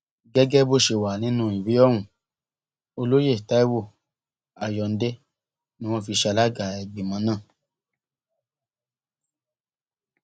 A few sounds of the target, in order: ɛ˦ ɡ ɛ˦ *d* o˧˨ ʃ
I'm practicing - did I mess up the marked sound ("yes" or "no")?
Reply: yes